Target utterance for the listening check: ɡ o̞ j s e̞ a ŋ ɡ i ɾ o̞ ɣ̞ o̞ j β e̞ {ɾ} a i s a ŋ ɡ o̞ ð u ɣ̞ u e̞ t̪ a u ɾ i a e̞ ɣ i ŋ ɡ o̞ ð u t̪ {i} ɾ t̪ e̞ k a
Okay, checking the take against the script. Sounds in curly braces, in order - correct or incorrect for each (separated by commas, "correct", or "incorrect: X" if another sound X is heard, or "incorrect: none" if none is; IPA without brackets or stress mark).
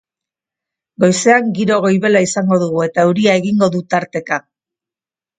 incorrect: l, incorrect: a